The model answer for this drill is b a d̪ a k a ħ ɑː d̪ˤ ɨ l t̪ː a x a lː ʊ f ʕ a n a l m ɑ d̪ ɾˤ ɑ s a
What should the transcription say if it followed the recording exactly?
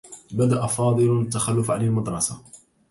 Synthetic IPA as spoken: b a d̪ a ʔ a f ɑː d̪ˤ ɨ l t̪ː a x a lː ʊ f ʕ a n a l m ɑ d̪ ɾˤ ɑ s a